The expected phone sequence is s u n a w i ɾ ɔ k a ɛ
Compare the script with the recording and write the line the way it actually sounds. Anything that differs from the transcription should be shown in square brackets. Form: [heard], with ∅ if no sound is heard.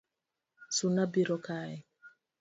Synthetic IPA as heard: s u n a [b] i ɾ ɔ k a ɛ